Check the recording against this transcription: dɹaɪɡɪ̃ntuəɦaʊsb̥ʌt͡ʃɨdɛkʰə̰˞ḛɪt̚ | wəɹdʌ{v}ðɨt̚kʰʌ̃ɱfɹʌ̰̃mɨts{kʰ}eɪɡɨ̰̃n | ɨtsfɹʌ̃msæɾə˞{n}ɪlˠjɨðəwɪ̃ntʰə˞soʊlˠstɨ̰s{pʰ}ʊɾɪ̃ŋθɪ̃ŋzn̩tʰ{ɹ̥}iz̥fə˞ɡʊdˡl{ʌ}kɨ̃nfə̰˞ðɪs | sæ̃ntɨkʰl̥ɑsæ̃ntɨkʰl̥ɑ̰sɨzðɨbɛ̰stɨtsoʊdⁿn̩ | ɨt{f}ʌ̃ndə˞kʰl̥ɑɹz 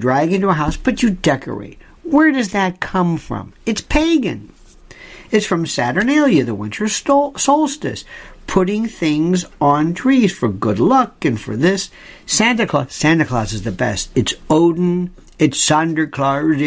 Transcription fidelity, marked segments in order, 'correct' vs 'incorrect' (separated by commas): incorrect, incorrect, correct, correct, correct, correct, incorrect